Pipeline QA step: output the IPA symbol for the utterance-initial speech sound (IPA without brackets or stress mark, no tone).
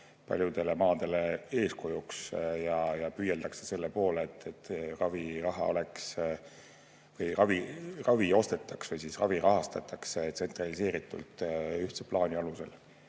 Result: p